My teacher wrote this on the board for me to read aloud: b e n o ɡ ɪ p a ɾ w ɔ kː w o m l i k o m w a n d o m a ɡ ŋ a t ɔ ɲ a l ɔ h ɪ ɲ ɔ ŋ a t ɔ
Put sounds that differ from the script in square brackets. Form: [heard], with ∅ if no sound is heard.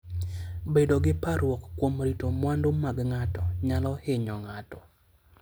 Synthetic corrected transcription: b e [d] o ɡ ɪ p a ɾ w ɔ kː w o m [ɾ] i [t] o m w a n d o m a ɡ ŋ a t ɔ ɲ a l ɔ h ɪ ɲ ɔ ŋ a t ɔ